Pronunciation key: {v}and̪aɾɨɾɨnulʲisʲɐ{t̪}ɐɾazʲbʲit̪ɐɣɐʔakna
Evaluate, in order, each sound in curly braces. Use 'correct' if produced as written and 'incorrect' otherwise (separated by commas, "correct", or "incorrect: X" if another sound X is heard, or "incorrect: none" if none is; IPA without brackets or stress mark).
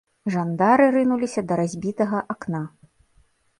incorrect: ʐ, incorrect: d̪